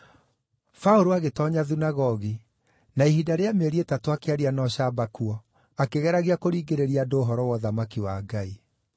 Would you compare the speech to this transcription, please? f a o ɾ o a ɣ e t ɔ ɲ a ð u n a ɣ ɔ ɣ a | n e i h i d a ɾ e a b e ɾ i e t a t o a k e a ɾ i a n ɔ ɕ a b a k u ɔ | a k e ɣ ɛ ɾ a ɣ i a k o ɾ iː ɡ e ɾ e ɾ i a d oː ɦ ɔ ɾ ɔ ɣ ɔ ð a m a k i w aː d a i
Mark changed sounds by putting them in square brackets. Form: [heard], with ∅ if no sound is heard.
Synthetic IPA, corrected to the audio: f a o ɾ o a ɣ e t ɔ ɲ a ð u n a ɣ ɔ ɣ [i] | n [a] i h i d a ɾ e a [m] e ɾ i e t a t o a k e a ɾ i a n ɔ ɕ a b a k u ɔ | a k e ɣ ɛ ɾ a ɣ i a k o ɾ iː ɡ e ɾ e ɾ i a d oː ɦ ɔ ɾ ɔ [w] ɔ ð a m a k i w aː [ɡ] a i